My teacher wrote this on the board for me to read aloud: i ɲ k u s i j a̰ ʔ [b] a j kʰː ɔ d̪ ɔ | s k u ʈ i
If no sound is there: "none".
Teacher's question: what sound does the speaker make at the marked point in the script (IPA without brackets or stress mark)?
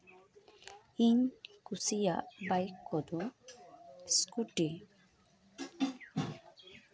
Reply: b